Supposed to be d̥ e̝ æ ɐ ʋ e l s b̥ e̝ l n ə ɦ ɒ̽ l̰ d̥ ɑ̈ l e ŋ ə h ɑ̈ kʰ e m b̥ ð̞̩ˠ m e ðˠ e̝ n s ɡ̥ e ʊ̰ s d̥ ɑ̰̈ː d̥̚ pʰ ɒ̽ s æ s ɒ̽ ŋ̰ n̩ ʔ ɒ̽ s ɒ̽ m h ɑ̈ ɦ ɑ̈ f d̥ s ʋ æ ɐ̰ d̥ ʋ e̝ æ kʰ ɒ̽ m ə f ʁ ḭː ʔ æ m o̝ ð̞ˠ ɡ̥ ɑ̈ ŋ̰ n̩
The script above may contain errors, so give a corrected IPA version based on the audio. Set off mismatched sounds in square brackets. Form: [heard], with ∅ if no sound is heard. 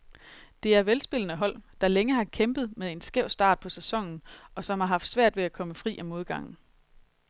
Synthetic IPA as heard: d̥ e̝ æ ɐ ʋ e l s b̥ e̝ l n ə ɦ ɒ̽ l̰ d̥ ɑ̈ l e ŋ ə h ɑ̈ kʰ e m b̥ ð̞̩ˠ m e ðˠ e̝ n s ɡ̥ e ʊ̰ s d̥ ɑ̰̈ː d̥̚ pʰ ɒ̽ s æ s ɒ̽ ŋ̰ n̩ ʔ ɒ̽ s ɒ̽ m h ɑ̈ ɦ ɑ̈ f d̥ s ʋ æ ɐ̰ d̥ ʋ e̝ æ kʰ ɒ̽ m ə f ʁ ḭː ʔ æ m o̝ ð̞ˠ ɡ̥ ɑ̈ ŋ̰ n̩